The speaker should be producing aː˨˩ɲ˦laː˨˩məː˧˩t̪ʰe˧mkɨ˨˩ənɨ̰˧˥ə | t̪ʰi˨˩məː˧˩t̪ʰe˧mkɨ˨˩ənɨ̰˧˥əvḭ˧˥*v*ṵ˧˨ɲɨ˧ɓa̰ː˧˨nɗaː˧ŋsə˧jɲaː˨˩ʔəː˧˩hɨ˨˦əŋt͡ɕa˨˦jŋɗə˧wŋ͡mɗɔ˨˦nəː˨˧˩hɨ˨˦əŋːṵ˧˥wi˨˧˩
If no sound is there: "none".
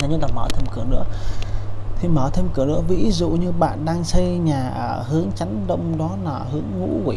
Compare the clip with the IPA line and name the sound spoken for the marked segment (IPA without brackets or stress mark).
z